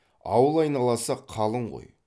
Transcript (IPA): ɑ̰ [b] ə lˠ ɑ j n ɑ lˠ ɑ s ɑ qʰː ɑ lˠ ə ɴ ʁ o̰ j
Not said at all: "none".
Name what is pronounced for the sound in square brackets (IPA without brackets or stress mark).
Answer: w